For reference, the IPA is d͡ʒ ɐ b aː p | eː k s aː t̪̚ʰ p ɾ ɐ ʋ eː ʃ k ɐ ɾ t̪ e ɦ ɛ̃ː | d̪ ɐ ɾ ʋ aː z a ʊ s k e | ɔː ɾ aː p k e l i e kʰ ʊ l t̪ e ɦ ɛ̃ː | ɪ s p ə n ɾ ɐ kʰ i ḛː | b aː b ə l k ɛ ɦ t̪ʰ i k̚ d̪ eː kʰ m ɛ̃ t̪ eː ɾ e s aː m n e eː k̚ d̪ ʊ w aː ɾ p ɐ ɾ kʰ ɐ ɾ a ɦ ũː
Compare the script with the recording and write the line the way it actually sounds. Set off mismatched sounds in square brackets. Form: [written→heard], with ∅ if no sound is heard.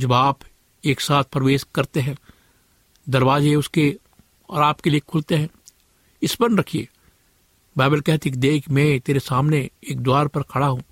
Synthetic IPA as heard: d͡ʒ ɐ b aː p | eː k s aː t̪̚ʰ p ɾ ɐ ʋ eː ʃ k ɐ ɾ t̪ e ɦ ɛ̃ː | d̪ ɐ ɾ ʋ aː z [a→e] ʊ s k e | ɔː ɾ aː p k e l i e kʰ ʊ l t̪ e ɦ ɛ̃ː | ɪ s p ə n ɾ ɐ kʰ i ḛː | b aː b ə l k ɛ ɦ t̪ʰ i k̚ d̪ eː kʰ m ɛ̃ t̪ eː ɾ e s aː m n e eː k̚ d̪ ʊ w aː ɾ p ɐ ɾ kʰ ɐ [ɾ→ɽ] a ɦ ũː